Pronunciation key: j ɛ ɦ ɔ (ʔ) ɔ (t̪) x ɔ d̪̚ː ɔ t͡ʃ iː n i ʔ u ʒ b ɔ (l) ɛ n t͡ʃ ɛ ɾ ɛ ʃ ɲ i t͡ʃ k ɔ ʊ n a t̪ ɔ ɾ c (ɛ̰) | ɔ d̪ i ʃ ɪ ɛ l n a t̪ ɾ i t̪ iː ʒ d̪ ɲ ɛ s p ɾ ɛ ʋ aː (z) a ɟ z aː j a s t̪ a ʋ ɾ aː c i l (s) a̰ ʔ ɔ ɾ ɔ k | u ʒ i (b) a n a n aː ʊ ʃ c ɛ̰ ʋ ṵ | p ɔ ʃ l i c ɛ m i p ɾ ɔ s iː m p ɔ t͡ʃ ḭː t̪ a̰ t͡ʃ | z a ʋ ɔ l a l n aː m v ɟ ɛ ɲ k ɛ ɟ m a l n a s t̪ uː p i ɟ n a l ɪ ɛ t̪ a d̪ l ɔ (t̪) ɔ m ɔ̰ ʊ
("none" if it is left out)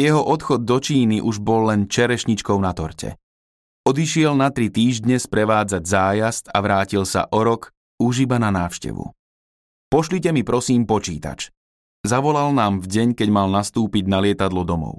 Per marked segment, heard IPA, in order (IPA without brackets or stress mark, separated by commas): ʔ, t̪, lː, ɛ̰, d͡z, s, b, d̪